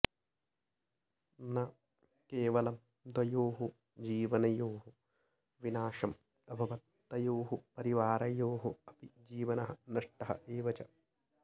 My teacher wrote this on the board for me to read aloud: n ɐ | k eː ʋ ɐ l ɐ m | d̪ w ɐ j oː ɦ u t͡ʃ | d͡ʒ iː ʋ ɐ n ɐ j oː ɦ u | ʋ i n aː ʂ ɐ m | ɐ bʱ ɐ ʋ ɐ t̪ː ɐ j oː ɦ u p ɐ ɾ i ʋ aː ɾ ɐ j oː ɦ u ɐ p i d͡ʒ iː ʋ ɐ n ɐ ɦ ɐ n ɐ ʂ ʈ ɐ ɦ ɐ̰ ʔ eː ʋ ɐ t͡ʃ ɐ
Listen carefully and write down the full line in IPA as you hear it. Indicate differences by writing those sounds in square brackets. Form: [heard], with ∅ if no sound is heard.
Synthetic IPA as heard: n ɐ | k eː ʋ ɐ l ɐ m | d̪ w ɐ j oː ɦ u [∅] | d͡ʒ iː ʋ ɐ n ɐ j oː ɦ u | ʋ i n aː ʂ ɐ m | ɐ bʱ ɐ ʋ ɐ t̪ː ɐ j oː ɦ u p ɐ ɾ i ʋ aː ɾ ɐ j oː ɦ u ɐ p i d͡ʒ iː ʋ ɐ n ɐ ɦ ɐ n ɐ ʂ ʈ ɐ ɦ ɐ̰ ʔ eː ʋ ɐ t͡ʃ ɐ